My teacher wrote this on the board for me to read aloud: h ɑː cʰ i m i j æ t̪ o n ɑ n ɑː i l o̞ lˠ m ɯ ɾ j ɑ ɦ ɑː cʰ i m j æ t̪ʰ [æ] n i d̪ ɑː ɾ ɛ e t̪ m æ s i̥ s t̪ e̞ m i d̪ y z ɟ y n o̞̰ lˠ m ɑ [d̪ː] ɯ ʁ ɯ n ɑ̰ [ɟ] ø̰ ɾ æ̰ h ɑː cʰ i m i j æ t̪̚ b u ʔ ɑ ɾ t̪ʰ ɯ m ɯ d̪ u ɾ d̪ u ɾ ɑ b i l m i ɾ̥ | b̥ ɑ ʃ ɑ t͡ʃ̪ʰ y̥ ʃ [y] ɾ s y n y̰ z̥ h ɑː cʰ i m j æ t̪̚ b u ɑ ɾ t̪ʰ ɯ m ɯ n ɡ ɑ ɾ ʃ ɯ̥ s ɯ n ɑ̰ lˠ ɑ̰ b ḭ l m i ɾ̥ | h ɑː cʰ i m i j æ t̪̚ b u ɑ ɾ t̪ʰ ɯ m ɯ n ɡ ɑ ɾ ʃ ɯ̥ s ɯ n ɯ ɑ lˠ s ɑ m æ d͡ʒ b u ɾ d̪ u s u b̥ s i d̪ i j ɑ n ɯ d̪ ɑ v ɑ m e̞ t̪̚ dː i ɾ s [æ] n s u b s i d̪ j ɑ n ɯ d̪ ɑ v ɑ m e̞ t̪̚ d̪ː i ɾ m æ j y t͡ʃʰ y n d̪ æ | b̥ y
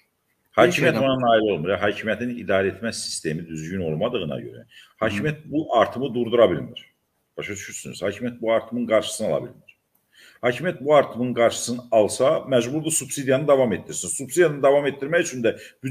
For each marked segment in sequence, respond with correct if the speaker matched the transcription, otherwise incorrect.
incorrect: i, incorrect: d̪, correct, correct, incorrect: i

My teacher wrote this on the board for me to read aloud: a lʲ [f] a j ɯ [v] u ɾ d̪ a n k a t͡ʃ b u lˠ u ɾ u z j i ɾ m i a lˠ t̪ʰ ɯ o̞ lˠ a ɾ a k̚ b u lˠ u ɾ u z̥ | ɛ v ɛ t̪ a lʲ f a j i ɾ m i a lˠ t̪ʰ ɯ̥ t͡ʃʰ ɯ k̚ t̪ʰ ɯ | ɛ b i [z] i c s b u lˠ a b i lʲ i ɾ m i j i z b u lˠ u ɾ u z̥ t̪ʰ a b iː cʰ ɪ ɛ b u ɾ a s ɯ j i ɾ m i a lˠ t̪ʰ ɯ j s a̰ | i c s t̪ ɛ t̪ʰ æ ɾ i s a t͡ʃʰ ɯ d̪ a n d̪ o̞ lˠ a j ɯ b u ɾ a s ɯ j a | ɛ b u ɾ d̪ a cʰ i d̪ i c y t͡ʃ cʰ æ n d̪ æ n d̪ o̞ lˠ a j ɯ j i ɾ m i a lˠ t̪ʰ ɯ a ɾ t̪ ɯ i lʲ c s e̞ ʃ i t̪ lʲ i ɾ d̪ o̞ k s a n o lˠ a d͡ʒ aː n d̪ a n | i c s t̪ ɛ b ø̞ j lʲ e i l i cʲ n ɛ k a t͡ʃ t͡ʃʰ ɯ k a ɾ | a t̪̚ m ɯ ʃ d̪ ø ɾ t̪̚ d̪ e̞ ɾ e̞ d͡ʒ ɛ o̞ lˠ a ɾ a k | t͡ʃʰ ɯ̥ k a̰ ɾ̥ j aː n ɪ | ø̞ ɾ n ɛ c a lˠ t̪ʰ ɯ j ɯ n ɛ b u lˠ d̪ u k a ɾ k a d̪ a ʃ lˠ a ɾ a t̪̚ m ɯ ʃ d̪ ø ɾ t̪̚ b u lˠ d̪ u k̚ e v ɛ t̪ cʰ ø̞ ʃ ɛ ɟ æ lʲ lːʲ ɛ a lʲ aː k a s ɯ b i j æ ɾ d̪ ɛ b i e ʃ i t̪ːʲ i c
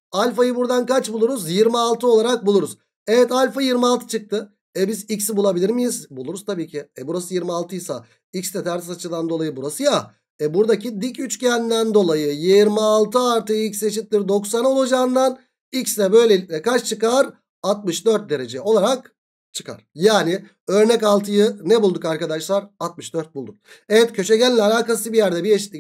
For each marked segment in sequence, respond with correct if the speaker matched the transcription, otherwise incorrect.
correct, incorrect: b, correct

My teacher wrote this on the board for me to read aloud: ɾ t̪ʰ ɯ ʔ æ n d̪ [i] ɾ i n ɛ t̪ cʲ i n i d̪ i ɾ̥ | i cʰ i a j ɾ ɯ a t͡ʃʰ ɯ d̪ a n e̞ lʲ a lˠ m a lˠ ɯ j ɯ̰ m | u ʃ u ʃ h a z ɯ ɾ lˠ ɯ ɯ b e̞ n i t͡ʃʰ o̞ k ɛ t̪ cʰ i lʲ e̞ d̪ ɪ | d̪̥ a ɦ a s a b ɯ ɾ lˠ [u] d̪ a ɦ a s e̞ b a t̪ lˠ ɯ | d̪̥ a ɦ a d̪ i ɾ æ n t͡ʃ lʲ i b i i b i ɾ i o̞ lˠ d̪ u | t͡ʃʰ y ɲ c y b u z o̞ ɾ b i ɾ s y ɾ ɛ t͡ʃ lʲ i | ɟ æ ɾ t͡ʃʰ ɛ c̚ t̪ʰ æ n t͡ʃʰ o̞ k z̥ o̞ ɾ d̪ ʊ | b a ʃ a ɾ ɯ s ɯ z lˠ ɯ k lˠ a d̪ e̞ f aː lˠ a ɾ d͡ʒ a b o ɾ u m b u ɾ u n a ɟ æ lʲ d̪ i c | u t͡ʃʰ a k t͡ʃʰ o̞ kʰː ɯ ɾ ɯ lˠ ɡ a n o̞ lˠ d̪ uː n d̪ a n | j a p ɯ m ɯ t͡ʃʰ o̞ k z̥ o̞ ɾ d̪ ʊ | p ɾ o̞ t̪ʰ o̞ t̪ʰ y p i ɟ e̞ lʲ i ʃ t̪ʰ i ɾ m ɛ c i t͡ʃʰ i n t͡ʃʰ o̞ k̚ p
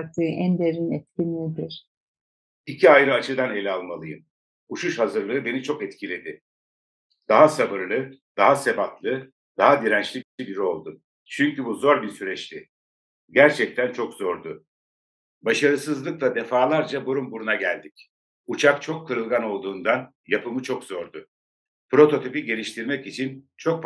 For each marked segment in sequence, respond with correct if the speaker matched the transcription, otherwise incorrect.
incorrect: e, incorrect: ɯ

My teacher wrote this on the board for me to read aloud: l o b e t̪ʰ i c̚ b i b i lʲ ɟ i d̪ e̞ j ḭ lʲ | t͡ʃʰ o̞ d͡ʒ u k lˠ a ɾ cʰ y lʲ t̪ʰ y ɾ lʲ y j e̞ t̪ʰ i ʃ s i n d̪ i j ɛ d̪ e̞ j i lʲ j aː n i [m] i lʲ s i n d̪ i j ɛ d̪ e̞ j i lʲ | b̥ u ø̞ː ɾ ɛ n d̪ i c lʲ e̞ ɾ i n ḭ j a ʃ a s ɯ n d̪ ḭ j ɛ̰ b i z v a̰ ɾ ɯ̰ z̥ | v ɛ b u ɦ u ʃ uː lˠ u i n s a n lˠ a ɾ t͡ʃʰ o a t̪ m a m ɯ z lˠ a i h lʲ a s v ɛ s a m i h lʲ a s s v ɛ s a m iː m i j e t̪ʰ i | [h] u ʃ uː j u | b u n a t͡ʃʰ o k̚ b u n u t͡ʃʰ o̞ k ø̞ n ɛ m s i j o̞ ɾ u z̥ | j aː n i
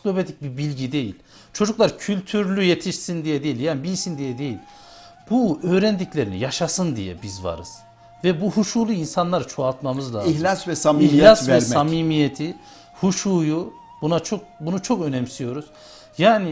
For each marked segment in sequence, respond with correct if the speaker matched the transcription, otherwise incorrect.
incorrect: b, correct

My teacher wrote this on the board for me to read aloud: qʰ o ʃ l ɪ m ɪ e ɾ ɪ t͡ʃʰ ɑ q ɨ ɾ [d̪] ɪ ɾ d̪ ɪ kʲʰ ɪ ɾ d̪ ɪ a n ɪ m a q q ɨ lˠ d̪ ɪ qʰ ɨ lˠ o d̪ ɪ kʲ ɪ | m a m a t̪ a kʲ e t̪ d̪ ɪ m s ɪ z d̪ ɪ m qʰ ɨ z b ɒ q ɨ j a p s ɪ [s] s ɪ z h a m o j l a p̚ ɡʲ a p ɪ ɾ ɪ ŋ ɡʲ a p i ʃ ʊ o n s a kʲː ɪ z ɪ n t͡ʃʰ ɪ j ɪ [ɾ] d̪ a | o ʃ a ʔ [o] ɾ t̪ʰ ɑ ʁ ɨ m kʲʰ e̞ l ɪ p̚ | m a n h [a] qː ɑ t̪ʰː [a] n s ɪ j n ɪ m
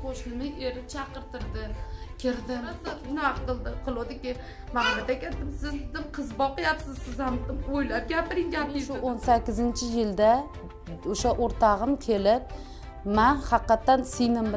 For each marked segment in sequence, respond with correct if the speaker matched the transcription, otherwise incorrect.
incorrect: t̪, incorrect: z, incorrect: l, correct, incorrect: ɑ, correct

